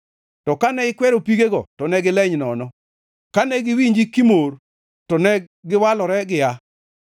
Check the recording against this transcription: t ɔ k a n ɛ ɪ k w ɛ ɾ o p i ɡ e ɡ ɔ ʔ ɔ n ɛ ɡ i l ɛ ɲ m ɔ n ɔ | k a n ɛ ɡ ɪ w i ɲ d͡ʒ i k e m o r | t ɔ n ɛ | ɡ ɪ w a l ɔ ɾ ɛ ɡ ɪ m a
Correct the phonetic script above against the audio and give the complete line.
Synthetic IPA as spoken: t ɔ k a n ɛ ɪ k w ɛ ɾ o p i ɡ e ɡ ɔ t ɔ n ɛ ɡ ɪ l ɛ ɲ n ɔ n ɔ | k a n ɛ ɡ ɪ w i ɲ d͡ʒ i k i m o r | t ɔ n ɛ | ɡ ɪ w a l ɔ ɾ ɛ ɡ ɪ a